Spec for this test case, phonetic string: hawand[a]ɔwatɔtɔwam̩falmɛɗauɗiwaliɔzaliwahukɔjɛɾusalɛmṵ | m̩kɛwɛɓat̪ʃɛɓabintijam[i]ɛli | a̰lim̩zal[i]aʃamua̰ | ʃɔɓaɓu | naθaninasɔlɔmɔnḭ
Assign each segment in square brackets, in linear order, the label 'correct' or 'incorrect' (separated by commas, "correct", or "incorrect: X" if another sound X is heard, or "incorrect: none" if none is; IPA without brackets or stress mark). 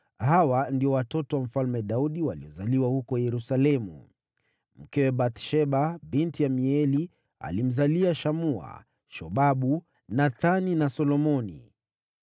incorrect: i, correct, correct